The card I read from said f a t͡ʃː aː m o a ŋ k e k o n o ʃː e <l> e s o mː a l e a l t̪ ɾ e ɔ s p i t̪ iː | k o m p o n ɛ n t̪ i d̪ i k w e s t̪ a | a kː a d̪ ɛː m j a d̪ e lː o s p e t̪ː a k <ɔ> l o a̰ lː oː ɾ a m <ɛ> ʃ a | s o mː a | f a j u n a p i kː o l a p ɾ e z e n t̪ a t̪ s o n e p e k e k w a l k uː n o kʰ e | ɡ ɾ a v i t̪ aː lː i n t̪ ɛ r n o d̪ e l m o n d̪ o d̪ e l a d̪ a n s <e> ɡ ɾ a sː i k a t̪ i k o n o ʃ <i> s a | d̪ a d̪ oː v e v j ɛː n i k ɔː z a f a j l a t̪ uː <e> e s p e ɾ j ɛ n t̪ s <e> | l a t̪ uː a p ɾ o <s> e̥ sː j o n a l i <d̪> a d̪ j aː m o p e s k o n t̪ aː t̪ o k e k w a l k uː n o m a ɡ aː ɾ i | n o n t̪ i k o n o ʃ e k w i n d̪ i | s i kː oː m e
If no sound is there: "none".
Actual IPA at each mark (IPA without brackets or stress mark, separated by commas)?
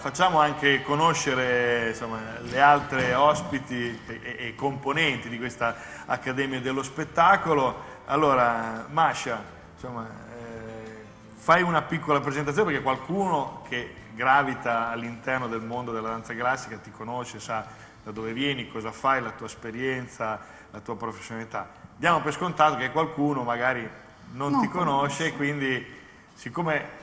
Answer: ɾ, o, a, a, e, a, a, f, t̪